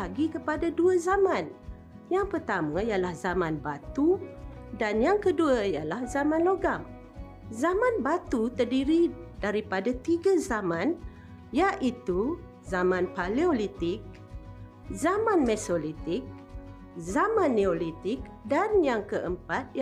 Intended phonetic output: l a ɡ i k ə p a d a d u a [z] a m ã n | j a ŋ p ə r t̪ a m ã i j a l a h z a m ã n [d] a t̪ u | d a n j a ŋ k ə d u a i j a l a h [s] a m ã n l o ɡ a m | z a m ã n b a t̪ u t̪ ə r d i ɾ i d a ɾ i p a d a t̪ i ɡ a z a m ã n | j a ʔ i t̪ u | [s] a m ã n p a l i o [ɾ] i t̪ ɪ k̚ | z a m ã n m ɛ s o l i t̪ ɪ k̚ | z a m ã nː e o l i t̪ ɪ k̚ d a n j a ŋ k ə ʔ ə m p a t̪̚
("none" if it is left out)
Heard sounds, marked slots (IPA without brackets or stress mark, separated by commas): z, b, z, z, l